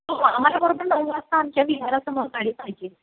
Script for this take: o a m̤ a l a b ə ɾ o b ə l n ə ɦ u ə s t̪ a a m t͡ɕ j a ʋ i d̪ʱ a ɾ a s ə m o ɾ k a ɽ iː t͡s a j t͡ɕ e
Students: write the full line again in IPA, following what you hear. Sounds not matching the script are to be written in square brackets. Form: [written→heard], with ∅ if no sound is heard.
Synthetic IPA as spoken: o a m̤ a l a b ə ɾ o b ə [l→ɾ] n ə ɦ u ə s t̪ a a m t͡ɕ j a ʋ i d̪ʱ a ɾ a s ə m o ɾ k a ɽ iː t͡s a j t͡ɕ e

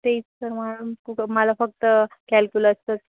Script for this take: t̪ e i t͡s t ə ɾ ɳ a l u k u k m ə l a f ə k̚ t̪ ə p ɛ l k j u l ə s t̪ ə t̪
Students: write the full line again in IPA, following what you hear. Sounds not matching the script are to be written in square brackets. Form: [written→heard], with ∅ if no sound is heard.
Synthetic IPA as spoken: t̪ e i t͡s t ə ɾ [ɳ→m] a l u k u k m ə l a f ə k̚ t̪ ə [p→k] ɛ l k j u l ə s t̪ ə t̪

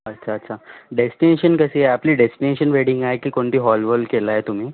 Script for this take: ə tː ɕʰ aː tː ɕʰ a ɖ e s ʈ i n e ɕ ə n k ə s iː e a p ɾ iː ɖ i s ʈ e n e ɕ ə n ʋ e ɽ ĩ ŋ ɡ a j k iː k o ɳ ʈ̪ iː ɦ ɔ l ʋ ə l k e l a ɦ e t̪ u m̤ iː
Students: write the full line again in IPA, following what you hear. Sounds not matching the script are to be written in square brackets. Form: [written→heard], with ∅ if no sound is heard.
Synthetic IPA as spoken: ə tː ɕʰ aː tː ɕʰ a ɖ e s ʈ i n e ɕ ə n k ə s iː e a p [ɾ→l] iː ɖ [i→e] s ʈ [e→i] n e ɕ ə n ʋ e ɽ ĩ ŋ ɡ a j k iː k o ɳ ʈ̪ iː ɦ ɔ l ʋ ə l k e l a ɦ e t̪ u m̤ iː

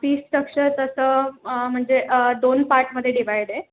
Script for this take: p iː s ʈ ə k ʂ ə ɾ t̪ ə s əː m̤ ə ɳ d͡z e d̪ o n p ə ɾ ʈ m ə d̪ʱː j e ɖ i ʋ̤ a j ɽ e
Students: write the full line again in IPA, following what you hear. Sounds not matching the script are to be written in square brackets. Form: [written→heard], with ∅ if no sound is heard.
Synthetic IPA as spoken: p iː s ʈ ə k ʂ ə ɾ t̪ ə s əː m̤ ə ɳ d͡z e d̪ o n p [ə→a] ɾ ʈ m ə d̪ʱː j e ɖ i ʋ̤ a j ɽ e

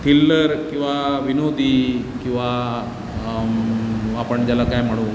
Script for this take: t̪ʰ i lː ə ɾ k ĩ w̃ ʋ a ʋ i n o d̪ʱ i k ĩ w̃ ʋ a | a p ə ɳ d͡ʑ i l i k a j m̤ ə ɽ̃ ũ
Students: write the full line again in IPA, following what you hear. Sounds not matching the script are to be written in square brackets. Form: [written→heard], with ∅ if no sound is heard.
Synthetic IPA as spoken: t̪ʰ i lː ə ɾ k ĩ w̃ ʋ a ʋ i n o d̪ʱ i k ĩ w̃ ʋ a | a p ə ɳ d͡ʑ [i→a] l [i→a] k a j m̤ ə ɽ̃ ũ

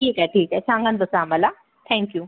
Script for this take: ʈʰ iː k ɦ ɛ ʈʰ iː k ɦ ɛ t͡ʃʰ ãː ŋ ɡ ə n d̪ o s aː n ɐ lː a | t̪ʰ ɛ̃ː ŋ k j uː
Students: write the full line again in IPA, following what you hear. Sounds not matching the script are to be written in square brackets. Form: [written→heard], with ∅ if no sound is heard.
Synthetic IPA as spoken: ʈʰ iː k ɦ ɛ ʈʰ iː k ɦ ɛ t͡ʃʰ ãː ŋ ɡ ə n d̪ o s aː [n→m] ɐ [lː→l] a | t̪ʰ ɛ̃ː ŋ k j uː

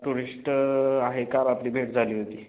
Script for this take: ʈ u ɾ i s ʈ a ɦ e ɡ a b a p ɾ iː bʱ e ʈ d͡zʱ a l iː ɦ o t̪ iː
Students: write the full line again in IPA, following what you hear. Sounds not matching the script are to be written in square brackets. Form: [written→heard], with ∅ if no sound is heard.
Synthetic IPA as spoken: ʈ u ɾ i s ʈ a ɦ e [ɡ→k] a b a p [ɾ→l] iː bʱ e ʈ d͡zʱ a l iː ɦ o t̪ iː

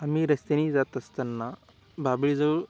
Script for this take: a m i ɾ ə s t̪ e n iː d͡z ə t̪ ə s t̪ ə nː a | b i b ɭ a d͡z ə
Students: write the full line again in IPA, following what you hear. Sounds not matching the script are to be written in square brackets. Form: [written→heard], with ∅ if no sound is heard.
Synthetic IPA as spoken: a m i ɾ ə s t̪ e n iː d͡z [ə→a] t̪ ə s t̪ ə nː a | b [i→a] b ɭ [a→i] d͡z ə

